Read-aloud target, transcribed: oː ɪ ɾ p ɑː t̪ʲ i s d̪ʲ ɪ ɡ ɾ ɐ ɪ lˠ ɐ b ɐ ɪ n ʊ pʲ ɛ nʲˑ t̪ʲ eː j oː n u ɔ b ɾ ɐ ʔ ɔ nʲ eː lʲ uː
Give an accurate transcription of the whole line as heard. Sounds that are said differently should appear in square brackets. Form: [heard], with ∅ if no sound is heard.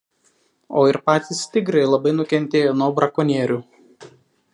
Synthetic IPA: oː ɪ ɾ p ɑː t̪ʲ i s [t̪ʲ] ɪ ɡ ɾ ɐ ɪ lˠ ɐ b ɐ ɪ n ʊ [kʲ] ɛ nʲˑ t̪ʲ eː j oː n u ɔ b ɾ ɐ [k] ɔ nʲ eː [ɾʲ] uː